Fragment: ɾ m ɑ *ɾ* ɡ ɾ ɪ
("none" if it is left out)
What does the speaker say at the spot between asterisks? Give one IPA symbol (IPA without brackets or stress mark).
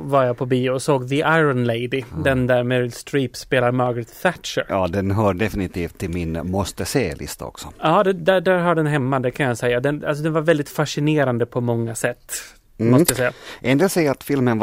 ɾ